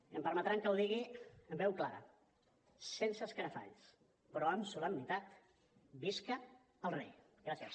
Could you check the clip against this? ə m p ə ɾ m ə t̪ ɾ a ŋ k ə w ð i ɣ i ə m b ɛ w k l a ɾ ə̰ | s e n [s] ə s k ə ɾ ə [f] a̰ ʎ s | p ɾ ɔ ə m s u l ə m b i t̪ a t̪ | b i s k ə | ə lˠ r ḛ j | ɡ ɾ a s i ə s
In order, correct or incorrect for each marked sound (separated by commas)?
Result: correct, correct